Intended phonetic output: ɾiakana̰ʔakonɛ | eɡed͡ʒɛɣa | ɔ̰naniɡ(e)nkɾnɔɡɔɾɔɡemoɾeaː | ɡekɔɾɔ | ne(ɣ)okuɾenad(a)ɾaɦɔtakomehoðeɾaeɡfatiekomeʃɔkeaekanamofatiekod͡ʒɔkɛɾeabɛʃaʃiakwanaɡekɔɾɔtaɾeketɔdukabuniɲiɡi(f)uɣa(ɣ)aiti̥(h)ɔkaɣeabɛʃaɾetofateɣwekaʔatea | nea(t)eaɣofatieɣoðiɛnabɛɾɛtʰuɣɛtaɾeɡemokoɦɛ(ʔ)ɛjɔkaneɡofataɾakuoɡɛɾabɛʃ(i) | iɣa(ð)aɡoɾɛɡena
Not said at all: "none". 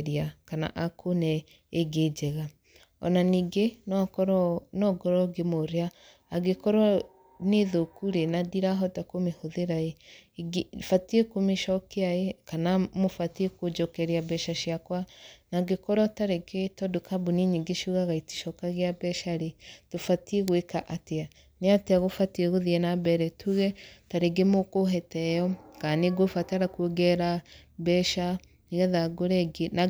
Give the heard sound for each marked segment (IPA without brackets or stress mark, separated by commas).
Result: e, ð, i, ʃ, ɣ, ʃ, t, t, a, ð